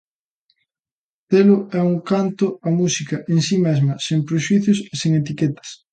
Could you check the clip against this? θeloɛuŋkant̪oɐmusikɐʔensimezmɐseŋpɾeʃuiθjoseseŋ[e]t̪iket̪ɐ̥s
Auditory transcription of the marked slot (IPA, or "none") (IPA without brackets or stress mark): e